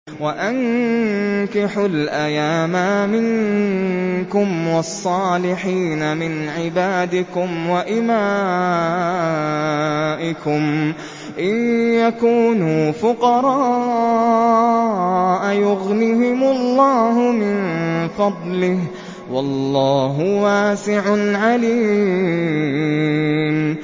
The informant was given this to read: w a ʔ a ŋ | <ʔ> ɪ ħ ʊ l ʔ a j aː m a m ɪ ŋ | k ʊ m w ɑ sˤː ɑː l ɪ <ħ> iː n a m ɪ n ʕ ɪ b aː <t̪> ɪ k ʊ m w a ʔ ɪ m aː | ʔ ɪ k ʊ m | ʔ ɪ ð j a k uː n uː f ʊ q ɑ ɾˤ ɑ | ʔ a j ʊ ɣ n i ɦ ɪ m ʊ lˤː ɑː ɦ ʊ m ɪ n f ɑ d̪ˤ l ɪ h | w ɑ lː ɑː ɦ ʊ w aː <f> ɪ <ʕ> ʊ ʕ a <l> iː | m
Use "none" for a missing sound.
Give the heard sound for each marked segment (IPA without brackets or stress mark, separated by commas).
k, ħ, d̪, s, ʕ, l